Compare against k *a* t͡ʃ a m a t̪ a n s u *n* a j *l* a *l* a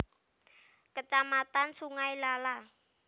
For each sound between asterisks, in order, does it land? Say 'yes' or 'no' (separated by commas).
no, no, yes, yes